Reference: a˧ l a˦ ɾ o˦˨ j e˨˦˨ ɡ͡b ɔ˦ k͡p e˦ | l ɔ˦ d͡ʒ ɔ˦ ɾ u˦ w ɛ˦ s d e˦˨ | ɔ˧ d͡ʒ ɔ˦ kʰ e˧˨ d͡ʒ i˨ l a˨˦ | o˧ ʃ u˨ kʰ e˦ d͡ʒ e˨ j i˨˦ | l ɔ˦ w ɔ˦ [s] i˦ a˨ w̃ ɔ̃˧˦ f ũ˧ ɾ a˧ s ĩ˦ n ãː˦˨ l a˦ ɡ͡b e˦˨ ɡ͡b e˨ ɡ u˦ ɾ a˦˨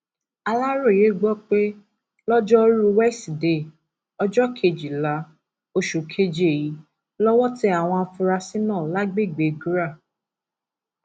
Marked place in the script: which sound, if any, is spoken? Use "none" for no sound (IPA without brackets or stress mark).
t